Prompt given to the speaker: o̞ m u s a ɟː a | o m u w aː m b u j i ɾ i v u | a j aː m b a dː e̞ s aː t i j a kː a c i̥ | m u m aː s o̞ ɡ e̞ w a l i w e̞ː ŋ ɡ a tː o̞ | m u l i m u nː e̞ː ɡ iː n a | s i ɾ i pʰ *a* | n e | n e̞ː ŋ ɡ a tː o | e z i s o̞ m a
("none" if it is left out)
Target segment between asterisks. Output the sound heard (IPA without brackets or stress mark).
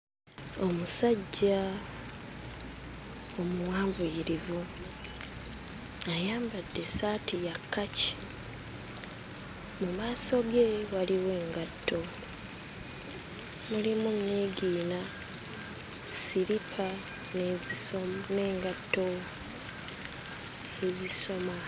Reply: a